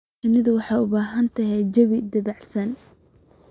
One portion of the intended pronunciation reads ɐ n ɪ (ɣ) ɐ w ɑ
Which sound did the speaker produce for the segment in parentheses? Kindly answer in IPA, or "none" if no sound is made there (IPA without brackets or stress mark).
ð